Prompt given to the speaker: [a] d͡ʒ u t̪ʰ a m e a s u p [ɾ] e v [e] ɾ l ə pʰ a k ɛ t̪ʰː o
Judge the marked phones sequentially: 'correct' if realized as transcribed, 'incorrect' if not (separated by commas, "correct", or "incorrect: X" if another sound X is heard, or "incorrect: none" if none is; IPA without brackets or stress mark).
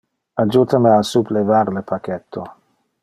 correct, incorrect: l, incorrect: a